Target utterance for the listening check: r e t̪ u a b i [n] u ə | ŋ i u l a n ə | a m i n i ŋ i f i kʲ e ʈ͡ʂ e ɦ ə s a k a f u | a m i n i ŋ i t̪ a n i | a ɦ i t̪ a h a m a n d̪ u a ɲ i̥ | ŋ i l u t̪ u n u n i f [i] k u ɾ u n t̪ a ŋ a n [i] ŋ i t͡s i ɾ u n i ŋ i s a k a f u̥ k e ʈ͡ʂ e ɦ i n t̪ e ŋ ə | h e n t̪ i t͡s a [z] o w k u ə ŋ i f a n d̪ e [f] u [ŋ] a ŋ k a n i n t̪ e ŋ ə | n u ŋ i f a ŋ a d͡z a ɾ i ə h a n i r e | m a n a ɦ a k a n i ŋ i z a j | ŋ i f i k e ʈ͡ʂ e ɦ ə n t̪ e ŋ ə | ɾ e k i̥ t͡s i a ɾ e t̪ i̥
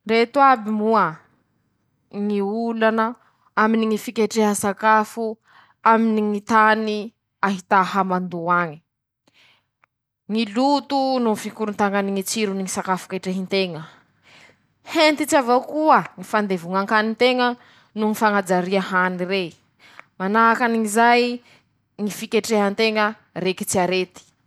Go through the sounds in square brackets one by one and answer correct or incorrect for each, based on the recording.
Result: incorrect: m, correct, correct, incorrect: v, incorrect: v, correct

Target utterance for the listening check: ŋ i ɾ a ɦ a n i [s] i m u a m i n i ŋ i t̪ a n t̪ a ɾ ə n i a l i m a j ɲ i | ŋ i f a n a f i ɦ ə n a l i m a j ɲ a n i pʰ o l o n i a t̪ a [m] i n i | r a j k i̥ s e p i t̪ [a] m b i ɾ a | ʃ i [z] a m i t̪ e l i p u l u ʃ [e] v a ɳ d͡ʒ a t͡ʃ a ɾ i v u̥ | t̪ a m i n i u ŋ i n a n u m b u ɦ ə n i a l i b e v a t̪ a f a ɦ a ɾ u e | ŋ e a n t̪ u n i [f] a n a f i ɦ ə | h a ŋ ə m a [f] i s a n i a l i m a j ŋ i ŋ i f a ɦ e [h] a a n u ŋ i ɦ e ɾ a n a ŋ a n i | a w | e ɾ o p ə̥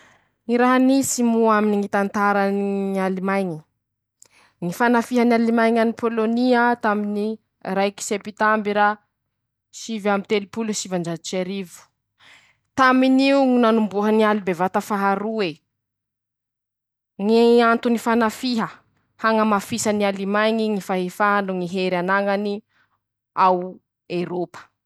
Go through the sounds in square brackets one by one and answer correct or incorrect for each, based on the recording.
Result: correct, correct, correct, incorrect: v, incorrect: i, correct, correct, incorrect: f

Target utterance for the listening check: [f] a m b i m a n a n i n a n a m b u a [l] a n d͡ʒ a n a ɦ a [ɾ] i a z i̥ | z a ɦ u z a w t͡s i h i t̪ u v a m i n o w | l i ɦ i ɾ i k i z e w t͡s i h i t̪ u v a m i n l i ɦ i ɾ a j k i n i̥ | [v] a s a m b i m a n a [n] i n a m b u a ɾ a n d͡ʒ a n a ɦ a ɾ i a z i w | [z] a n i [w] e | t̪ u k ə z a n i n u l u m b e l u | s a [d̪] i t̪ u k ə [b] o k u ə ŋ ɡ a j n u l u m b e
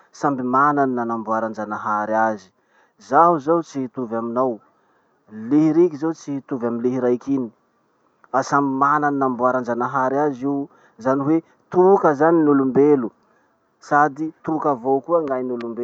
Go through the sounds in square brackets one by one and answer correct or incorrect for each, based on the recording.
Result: incorrect: s, incorrect: ɾ, correct, incorrect: f, correct, correct, correct, correct, incorrect: v

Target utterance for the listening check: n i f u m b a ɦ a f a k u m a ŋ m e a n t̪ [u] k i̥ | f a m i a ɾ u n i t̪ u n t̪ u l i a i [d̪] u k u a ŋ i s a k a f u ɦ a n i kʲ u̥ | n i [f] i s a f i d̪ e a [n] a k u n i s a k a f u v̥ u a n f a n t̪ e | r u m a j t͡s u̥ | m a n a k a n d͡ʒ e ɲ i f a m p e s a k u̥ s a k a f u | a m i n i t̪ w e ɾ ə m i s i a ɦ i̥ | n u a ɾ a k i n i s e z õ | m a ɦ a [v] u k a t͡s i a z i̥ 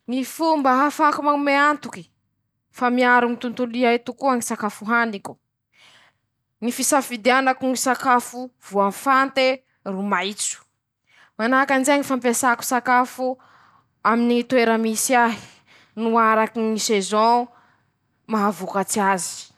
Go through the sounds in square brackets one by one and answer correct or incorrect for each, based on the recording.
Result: correct, incorrect: t̪, correct, correct, correct

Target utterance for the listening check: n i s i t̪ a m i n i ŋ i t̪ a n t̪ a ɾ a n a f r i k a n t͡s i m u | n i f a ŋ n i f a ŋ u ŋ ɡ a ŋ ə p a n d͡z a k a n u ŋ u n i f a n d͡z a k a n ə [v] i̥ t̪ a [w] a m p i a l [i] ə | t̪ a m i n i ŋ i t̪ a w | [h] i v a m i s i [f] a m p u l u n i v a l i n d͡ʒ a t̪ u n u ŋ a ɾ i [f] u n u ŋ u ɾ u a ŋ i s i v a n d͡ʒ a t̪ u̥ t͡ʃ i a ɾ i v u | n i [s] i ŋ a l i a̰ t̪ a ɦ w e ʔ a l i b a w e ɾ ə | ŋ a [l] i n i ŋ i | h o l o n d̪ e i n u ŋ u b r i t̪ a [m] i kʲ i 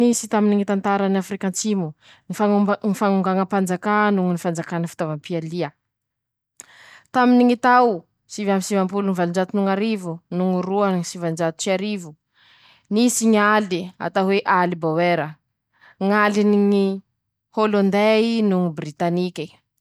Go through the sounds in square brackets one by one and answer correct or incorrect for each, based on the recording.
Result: incorrect: f, incorrect: v, correct, incorrect: s, incorrect: v, incorrect: v, correct, correct, incorrect: n

